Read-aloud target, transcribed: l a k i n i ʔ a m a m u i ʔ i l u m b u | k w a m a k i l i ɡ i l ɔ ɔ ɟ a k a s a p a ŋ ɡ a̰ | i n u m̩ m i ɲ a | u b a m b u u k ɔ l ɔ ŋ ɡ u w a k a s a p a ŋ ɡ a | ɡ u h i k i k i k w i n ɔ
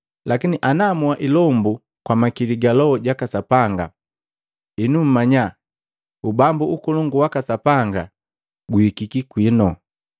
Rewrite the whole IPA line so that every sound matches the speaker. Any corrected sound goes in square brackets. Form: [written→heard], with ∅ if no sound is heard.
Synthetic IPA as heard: l a k i n i ʔ a [m→n] a m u [i→a] ʔ i l [u→ɔ] m b u | k w a m a k i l i ɡ [i→a] l ɔ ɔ ɟ a k a s a p a ŋ ɡ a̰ | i n u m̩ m [i→a] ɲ a | u b a m b u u k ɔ l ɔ ŋ ɡ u w a k a s a p a ŋ ɡ a | ɡ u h i k i k i k w i n ɔ

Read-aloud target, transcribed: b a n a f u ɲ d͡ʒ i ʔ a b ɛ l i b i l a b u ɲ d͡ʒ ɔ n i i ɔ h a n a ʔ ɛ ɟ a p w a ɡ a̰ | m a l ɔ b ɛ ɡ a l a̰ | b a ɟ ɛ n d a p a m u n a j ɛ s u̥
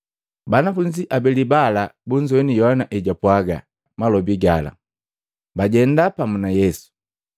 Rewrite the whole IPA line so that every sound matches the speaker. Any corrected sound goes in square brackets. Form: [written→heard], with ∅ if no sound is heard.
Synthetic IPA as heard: b a n a f u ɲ d͡ʒ i ʔ a b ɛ l i b [i→a] l a b u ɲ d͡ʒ ɔ n i [i→j] ɔ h a n a ʔ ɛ ɟ a p w a ɡ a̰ | m a l ɔ b [ɛ→i] ɡ a l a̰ | b a ɟ ɛ n d a p a m u n a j ɛ s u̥

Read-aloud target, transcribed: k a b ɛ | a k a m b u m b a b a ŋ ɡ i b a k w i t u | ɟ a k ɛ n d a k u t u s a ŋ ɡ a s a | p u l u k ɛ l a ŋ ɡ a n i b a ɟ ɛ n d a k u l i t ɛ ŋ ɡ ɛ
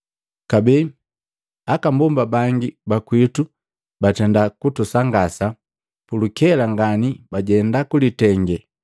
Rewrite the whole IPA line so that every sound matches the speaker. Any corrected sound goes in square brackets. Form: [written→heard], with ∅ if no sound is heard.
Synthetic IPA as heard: k a b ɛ | a k a m b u m b a b a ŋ ɡ i b a k w i t u | [ɟ→b] a [k→t] ɛ n d a k u t u s a ŋ ɡ a s a | p u l u k ɛ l a ŋ ɡ a n i b a ɟ ɛ n d a k u l i t ɛ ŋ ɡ ɛ

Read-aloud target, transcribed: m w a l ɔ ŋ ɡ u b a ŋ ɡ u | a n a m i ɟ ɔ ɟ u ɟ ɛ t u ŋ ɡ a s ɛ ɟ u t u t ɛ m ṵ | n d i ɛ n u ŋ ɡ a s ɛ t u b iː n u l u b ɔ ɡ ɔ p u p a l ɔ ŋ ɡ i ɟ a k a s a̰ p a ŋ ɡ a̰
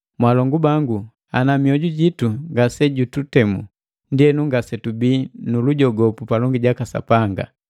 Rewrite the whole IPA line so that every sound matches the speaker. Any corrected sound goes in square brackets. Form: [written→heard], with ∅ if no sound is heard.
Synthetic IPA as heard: m w a l ɔ ŋ ɡ u b a ŋ ɡ u | a n a m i [ɟ→∅] ɔ ɟ u ɟ [ɛ→i] t u ŋ ɡ a s ɛ ɟ u t u t ɛ m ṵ | n d i ɛ n u ŋ ɡ a s ɛ t u b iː n u l u [b→ɟ] ɔ ɡ ɔ p u p a l ɔ ŋ ɡ i ɟ a k a s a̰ p a ŋ ɡ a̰

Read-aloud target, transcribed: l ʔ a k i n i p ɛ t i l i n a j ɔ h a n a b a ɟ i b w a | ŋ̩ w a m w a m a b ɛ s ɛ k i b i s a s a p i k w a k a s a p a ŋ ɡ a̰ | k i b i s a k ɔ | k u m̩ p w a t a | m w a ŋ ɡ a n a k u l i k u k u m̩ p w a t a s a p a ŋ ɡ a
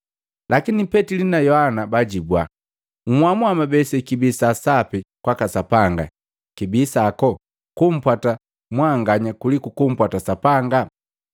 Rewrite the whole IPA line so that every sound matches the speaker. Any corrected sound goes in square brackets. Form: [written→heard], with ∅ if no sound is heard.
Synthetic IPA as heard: l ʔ a k i n i p ɛ t i l i n a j ɔ h a n a b a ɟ i b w a | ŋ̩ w a m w a m a b ɛ s ɛ k i b i s a s a p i k w a k a s a p a ŋ ɡ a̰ | k i b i s a k ɔ | k u m̩ p w a t a | m w a ŋ ɡ a [n→ɲ] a k u l i k u k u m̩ p w a t a s a p a ŋ ɡ a

